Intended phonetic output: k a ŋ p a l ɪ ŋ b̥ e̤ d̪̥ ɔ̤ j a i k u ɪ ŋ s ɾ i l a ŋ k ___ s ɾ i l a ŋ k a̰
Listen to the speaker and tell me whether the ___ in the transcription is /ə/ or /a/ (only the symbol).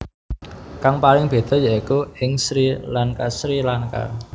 a